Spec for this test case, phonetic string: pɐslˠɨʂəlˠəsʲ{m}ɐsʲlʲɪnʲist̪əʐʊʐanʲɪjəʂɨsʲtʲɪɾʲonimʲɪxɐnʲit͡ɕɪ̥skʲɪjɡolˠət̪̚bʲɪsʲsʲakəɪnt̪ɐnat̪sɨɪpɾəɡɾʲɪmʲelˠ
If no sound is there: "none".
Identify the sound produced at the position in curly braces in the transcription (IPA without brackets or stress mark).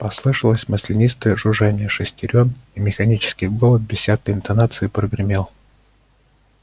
m